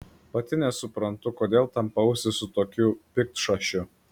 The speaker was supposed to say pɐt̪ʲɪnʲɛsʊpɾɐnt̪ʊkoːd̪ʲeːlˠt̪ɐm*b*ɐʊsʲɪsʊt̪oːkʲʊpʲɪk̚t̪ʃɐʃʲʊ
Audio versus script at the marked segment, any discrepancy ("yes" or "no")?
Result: yes